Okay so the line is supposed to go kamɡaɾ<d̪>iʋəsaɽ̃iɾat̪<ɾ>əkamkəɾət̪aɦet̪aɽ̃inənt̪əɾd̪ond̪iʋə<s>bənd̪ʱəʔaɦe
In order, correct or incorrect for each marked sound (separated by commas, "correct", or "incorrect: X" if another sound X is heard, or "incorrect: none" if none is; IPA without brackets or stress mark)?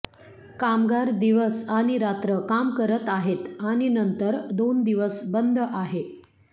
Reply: correct, correct, correct